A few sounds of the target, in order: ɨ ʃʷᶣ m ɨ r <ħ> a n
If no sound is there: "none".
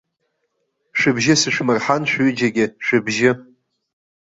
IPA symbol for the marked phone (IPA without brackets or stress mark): ħ